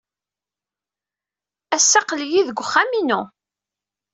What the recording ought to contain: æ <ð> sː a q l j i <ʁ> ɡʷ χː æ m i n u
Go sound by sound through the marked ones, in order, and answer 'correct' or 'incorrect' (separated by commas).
incorrect, incorrect